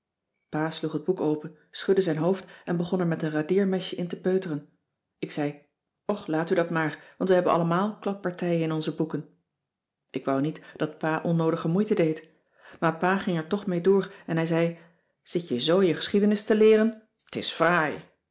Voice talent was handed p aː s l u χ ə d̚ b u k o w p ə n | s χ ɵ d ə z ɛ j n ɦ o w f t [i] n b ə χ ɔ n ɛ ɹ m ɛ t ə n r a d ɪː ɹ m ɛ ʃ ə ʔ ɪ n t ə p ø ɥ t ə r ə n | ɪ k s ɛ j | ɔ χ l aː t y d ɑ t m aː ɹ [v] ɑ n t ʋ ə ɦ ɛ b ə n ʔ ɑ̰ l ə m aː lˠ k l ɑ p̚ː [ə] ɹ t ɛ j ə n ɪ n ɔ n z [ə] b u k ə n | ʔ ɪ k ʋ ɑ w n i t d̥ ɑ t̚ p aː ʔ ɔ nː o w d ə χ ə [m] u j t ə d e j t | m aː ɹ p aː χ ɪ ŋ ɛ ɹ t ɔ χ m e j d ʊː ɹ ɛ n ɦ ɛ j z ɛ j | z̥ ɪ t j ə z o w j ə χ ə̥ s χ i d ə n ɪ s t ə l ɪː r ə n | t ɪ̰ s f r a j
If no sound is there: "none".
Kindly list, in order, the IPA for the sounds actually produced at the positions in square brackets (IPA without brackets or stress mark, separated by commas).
ɛ, ʋ, ɑ, ə, m